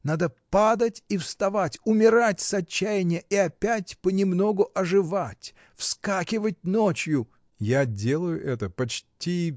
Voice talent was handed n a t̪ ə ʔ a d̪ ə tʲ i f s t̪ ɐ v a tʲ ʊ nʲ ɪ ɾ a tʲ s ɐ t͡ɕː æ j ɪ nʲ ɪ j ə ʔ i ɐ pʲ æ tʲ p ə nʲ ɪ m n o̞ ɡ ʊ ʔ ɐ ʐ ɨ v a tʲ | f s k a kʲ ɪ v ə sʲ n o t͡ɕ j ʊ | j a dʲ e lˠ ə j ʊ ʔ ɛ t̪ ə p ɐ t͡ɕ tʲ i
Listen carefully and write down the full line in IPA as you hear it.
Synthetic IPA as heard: n a d̪ ə p a d̪ ə tʲ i f s t̪ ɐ v a tʲ ʊ mʲ ɪ ɾ a tʲ s ɐ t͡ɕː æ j ɪ nʲ ɪ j ə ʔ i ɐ pʲ æ tʲ p ə nʲ ɪ m n o̞ ɡ ʊ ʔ ɐ ʐ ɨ v a tʲ | f s k a kʲ ɪ v ə tʲ n o t͡ɕ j ʊ | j a dʲ e lˠ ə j ʊ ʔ ɛ t̪ ə p ɐ t͡ɕ tʲ i